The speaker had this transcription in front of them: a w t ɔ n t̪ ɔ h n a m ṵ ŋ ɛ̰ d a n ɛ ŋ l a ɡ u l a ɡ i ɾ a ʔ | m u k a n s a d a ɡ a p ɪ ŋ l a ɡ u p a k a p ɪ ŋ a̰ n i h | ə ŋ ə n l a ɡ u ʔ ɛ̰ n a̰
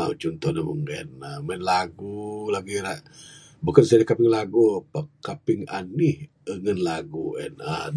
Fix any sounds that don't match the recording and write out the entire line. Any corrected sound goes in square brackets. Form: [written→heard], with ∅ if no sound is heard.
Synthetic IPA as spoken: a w [t→t͡ʃ] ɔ n t̪ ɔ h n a m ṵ ŋ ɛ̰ [d→n] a [n→m] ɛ [ŋ→n] l a ɡ u l a ɡ i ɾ a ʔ | [m→b] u k a n s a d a [ɡ→k] a p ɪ ŋ l a ɡ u p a k a p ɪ ŋ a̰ n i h | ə ŋ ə n l a ɡ u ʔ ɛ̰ n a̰